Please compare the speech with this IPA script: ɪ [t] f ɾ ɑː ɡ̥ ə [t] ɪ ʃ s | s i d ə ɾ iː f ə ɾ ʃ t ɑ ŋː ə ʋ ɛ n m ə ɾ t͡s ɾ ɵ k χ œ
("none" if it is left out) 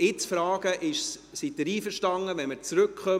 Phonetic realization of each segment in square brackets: t͡s, ʔ

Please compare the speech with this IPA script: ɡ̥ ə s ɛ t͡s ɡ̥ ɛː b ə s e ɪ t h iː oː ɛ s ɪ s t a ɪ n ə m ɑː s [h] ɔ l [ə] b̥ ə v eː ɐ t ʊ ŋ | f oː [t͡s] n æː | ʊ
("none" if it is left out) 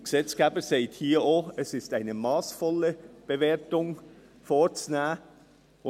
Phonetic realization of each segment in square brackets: f, ə, t͡s

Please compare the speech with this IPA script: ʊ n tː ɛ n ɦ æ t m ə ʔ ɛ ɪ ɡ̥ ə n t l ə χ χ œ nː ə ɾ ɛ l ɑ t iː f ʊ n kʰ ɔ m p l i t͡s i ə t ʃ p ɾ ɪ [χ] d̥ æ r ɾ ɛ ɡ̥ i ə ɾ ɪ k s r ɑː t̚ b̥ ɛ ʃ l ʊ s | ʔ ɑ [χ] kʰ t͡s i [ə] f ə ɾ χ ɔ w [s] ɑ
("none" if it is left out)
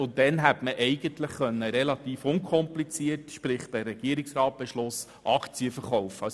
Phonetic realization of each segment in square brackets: χ, none, ə, f

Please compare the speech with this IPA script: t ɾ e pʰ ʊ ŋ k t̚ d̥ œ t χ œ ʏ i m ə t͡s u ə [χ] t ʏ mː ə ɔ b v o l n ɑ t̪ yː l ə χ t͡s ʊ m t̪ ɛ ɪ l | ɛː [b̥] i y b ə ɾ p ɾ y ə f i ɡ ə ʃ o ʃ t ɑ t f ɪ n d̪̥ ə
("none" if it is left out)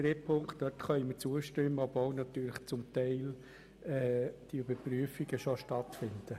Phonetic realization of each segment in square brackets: ʃ, d̥

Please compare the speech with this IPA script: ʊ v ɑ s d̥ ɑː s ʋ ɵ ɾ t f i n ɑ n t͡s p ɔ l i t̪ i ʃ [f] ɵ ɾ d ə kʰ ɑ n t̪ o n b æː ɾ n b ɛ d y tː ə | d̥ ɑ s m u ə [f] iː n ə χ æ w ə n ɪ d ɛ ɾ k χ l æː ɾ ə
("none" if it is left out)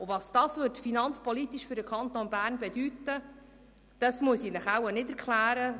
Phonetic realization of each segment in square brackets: f, s

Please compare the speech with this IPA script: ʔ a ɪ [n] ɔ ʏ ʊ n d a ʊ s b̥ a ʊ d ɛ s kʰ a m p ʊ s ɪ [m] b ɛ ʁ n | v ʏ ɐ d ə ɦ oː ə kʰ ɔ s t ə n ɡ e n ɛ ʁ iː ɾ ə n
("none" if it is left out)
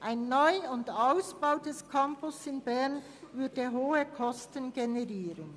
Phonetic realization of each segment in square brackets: nː, n

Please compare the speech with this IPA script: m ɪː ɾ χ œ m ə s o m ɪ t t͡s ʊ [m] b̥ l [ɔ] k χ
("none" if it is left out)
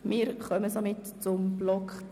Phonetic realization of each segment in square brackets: m, ɔ

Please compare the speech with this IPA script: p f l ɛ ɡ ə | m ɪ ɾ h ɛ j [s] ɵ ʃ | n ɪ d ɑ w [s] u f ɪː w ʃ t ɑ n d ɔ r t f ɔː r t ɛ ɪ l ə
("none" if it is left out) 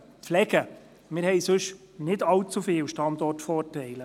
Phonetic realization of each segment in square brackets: s, t͡s

